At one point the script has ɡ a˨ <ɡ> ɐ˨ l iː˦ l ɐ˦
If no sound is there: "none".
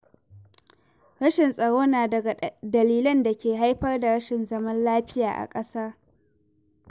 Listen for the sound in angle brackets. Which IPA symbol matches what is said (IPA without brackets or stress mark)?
d